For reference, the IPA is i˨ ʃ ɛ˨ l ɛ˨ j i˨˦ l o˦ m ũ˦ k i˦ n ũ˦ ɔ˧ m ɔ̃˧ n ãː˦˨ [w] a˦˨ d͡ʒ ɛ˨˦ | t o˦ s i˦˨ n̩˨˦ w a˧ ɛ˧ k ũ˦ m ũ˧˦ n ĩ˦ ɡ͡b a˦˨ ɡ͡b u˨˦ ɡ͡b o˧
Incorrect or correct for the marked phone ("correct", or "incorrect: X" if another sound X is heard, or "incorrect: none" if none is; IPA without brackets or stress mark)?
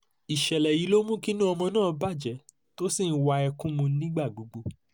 incorrect: b